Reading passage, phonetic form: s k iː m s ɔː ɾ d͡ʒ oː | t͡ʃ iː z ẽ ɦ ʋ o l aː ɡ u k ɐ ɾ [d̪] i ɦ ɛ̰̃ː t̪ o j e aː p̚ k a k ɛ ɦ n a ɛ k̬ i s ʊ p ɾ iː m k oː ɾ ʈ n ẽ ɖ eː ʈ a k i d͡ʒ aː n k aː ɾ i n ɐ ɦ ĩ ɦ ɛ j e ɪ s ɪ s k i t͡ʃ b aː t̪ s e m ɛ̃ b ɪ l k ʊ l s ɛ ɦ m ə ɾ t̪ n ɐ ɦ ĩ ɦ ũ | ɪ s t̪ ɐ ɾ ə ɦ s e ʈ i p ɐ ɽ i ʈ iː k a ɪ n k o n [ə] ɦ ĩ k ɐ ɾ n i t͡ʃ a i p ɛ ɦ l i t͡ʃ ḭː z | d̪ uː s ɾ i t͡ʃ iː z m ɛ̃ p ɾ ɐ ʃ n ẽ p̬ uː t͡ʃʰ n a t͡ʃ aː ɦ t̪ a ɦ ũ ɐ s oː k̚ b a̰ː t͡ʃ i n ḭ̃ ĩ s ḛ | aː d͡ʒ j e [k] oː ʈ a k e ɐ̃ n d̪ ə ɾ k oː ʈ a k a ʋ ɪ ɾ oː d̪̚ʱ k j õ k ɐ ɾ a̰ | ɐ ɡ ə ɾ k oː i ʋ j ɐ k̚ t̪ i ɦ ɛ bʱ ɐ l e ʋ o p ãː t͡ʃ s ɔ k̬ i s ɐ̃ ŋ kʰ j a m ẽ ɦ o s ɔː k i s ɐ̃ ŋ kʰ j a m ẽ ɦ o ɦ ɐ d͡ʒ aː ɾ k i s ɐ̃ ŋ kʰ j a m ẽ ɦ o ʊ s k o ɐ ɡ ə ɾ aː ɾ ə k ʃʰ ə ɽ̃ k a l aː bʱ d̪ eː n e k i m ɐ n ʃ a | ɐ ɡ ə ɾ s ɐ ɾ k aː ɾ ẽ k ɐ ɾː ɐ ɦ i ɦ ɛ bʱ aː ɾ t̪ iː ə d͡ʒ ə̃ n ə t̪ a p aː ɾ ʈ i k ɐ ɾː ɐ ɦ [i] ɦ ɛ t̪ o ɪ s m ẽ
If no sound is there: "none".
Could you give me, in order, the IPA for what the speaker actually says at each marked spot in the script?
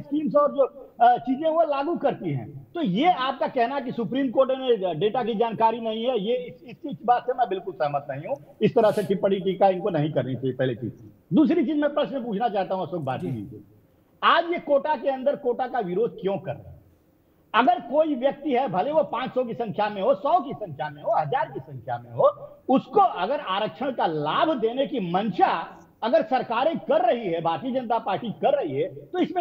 t̪, ɐ, k, i

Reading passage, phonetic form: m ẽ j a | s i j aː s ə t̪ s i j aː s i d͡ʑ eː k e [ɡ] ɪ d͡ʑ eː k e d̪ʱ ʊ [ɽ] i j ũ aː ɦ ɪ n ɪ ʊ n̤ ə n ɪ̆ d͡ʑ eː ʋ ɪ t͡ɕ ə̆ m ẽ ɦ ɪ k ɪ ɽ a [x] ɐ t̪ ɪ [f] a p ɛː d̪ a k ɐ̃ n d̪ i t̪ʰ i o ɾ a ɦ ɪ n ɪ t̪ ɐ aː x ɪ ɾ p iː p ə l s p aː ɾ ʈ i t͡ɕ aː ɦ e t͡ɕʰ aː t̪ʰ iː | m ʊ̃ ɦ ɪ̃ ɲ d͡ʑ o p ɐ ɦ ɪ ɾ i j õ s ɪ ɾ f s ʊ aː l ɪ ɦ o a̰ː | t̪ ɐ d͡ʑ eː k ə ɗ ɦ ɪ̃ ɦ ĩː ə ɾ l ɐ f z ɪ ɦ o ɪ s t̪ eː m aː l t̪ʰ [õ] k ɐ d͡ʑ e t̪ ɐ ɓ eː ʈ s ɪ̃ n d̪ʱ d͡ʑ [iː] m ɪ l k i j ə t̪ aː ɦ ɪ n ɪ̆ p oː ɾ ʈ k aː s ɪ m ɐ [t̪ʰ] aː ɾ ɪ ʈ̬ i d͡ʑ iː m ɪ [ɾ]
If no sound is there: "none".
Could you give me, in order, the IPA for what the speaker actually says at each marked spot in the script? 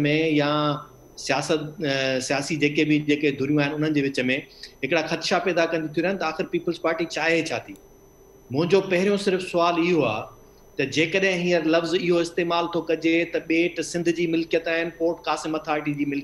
b, ɾ, x, ʃ, o, iː, t̪ʰ, l

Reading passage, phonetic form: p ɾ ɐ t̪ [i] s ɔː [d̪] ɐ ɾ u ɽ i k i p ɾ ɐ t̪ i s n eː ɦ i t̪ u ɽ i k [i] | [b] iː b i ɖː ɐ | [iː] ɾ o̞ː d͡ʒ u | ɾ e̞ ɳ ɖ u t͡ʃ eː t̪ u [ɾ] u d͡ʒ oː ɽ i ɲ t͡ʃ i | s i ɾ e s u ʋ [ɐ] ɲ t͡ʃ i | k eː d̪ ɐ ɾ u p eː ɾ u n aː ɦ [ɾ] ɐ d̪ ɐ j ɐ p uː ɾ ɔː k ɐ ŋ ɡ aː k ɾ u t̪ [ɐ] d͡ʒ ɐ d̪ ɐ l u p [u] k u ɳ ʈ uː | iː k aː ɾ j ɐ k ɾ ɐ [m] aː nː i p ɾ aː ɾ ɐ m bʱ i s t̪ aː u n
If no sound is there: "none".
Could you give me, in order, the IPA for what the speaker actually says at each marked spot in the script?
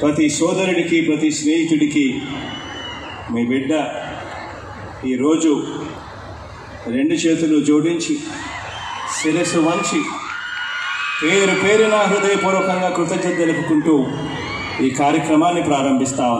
i, d̪, i, m, iː, l, ɐ, ɾ, ɐ, u, m

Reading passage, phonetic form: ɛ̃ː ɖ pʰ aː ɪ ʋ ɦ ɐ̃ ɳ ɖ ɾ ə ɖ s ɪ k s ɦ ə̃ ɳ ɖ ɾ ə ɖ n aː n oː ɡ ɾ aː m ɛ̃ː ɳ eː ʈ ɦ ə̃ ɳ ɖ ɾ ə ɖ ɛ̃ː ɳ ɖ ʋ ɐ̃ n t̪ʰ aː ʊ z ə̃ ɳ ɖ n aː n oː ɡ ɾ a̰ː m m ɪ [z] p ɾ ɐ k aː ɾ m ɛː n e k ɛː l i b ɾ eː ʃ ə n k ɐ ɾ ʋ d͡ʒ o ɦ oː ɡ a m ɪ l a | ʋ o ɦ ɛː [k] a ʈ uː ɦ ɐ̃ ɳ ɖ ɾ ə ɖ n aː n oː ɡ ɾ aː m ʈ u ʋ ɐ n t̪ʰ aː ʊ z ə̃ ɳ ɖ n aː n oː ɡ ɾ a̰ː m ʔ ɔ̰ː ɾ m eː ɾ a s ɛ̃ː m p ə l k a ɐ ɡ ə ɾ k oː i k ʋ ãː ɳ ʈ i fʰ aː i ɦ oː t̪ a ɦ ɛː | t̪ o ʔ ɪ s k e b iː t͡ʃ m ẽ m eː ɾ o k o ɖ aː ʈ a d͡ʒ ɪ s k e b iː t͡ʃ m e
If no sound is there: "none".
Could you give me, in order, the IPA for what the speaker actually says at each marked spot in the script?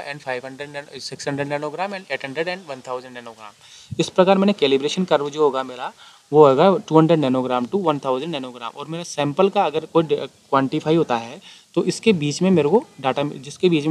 s, ɡ

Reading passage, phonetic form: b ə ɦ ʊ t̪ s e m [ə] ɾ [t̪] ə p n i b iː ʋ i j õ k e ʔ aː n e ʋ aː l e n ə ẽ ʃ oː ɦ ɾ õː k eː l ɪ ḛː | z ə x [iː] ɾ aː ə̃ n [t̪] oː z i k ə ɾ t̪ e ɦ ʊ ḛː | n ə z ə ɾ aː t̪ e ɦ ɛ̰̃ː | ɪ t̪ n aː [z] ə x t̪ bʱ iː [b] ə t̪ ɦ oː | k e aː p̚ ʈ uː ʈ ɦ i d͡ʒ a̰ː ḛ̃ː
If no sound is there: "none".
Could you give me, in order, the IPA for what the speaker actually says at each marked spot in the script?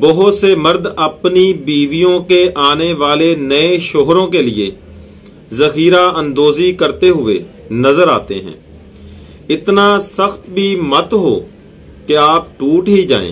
ə, d̪, iː, d̪, s, m

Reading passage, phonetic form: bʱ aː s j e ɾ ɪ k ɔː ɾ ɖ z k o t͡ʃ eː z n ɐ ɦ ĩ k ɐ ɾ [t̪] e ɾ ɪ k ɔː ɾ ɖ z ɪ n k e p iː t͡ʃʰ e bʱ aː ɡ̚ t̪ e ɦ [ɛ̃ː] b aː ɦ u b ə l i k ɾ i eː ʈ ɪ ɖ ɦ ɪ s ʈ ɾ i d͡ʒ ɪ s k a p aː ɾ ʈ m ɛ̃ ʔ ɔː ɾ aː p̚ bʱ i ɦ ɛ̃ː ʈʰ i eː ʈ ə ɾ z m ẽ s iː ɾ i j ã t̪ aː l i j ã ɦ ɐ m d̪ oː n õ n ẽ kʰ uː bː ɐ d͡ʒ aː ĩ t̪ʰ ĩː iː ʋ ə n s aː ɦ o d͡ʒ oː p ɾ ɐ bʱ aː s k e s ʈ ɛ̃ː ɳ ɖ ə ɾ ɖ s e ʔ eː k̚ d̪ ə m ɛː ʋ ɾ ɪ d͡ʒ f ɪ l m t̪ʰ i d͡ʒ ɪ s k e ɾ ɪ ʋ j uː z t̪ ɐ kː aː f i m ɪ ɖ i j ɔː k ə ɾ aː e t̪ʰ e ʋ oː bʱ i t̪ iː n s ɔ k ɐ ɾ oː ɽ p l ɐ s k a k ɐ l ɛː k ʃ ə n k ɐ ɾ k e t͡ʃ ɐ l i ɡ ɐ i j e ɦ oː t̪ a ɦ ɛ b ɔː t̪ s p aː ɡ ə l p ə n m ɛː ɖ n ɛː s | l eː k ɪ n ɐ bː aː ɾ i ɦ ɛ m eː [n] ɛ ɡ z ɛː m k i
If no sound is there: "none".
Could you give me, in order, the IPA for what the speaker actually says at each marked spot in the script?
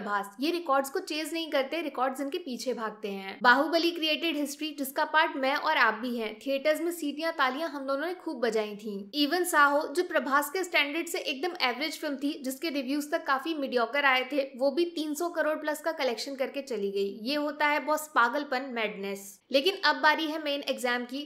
t̪, ɛ̃ː, n

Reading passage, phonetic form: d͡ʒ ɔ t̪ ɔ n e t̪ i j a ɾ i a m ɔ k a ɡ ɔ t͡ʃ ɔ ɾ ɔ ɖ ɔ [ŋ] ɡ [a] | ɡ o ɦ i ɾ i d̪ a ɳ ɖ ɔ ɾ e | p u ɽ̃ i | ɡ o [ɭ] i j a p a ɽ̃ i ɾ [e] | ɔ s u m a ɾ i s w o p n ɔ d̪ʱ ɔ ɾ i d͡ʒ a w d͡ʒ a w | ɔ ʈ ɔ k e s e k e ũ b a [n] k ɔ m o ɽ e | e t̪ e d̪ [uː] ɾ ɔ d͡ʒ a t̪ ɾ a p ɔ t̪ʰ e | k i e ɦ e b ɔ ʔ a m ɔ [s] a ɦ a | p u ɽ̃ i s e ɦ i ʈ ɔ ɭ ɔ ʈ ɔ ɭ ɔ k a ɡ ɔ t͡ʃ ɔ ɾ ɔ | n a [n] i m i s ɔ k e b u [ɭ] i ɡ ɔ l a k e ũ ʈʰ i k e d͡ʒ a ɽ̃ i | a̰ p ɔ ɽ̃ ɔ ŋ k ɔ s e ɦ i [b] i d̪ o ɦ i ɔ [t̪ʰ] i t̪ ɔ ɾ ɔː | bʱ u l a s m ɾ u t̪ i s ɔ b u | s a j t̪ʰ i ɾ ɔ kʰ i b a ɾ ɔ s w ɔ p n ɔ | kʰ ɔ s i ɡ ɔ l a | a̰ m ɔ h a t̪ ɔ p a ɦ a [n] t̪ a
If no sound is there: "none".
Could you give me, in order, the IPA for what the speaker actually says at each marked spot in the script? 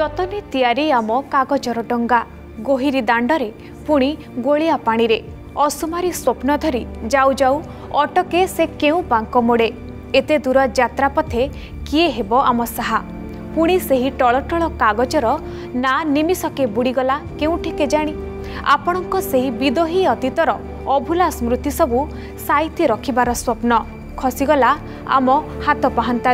ŋ, a, ɭ, e, ŋ, u, s, n, ɽ, b, t̪, n

